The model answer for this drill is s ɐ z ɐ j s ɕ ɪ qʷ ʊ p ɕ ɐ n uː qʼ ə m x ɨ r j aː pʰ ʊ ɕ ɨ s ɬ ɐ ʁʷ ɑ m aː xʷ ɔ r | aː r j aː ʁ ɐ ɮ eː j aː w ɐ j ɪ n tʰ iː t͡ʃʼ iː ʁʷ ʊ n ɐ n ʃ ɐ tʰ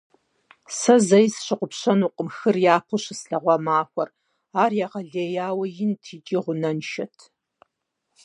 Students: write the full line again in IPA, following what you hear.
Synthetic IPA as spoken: s ɐ z ɐ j s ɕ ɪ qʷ ʊ p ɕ ɐ n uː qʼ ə m x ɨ r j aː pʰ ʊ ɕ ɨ s ɬ ɐ ʁʷ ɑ m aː xʷ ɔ r | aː r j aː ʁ ɐ ɮ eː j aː w ɐ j ɪ n tʰ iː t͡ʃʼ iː ʁʷ ʊ n ɐ n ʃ ɐ tʰ